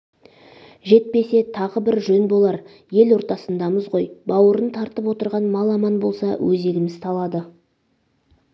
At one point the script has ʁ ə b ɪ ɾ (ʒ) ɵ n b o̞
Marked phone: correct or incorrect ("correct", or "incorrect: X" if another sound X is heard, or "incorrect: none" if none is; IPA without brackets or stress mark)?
correct